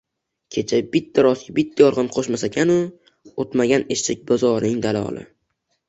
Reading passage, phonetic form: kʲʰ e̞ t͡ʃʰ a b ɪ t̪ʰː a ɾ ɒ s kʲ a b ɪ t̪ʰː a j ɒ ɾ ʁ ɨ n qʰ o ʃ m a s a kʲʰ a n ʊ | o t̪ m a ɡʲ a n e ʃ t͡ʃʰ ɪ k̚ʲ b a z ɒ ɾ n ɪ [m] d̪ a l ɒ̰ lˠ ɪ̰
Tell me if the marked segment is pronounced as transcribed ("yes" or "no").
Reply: no